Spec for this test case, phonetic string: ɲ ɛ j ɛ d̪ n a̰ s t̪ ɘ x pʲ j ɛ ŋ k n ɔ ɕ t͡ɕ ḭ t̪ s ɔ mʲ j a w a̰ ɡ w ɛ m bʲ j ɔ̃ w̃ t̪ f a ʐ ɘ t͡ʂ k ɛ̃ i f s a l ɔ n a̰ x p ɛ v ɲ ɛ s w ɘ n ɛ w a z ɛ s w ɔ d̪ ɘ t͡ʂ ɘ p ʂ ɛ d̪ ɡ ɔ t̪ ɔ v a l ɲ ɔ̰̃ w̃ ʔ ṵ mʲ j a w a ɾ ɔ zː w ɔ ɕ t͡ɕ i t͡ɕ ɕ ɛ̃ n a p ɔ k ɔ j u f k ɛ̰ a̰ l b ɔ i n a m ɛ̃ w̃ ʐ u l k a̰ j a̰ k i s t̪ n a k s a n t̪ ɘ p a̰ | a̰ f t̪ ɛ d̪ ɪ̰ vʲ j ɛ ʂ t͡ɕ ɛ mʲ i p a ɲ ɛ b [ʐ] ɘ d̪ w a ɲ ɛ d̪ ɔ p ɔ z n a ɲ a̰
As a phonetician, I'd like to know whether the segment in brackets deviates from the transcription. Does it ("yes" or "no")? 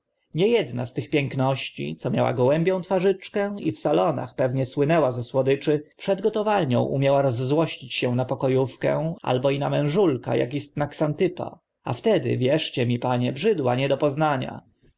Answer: no